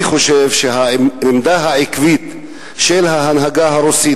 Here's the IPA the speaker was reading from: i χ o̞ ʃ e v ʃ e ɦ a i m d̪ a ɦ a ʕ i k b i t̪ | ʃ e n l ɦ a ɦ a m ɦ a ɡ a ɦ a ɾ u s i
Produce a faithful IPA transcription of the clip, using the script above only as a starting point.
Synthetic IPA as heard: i χ o̞ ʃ e v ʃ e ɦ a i m d̪ a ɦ a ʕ i k v i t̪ | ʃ e l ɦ a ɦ a n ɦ a ɡ a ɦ a ɾ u s i